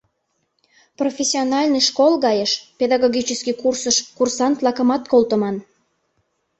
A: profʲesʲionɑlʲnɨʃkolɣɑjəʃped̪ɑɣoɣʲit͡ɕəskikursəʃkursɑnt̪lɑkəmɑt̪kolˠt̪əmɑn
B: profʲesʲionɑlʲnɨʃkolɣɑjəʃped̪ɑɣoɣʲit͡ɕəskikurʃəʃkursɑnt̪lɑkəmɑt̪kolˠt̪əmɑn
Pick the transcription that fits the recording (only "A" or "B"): A